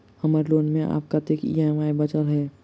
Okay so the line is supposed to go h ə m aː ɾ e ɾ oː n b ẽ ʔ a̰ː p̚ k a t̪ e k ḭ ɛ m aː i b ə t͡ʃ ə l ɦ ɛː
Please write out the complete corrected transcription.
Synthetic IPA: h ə m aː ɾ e l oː n m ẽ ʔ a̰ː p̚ k a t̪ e k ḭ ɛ m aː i b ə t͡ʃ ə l ɦ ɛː